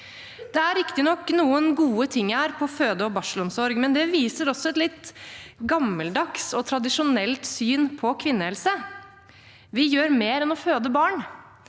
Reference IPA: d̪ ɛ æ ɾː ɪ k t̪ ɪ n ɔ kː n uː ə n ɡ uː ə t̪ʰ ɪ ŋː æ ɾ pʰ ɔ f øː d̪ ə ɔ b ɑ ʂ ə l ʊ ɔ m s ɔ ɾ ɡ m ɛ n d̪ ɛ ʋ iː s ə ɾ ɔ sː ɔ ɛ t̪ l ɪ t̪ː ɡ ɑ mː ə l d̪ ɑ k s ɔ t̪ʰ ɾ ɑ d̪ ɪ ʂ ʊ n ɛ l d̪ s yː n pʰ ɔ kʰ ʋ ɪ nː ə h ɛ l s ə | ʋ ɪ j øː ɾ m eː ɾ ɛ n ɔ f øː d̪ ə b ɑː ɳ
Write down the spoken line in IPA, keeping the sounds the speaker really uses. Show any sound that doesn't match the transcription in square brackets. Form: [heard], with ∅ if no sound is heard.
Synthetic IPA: d̪ ɛ æ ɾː ɪ k t̪ ɪ n ɔ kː n uː ə n ɡ uː ə t̪ʰ ɪ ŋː æ ɾ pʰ ɔ f øː d̪ ə ɔ b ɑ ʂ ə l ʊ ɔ m s ɔ ɾ ɡ m ɛ n d̪ ɛ ʋ iː s ə ɾ ɔ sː ɔ ɛ t̪ l ɪ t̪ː ɡ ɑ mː ə l d̪ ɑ k s ɔ t̪ʰ ɾ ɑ d̪ ɪ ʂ ʊ n ɛ l [t̪] s yː n pʰ ɔ kʰ ʋ ɪ nː ə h ɛ l s ə | ʋ ɪ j øː ɾ m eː ɾ ɛ n ɔ f øː d̪ ə b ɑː ɳ